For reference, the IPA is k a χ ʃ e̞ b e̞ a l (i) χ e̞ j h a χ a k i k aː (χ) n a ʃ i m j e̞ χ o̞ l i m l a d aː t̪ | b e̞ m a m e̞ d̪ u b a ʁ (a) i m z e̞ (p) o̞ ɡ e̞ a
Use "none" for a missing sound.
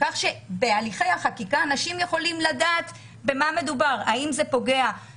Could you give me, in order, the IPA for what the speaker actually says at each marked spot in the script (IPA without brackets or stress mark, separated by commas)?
i, none, a, p